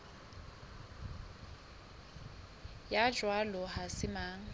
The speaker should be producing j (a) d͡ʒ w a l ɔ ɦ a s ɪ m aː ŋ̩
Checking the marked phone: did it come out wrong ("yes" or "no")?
no